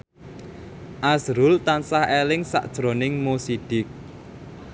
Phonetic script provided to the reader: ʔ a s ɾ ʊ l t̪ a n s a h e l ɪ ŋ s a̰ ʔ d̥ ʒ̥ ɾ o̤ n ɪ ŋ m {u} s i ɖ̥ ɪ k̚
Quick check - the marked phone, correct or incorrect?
incorrect